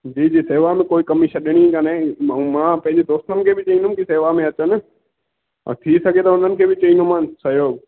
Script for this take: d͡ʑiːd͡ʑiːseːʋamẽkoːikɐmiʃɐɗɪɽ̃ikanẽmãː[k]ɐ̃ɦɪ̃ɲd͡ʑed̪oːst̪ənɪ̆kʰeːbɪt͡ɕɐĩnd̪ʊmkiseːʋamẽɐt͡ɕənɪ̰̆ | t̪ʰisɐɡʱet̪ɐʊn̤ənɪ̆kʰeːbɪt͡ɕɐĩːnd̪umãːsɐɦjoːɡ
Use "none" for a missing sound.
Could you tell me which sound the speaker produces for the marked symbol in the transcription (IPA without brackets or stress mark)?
p